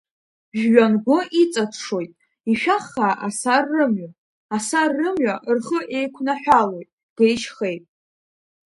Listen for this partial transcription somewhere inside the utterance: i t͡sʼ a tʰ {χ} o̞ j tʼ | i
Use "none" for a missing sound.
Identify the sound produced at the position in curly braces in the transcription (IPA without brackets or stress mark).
ʂ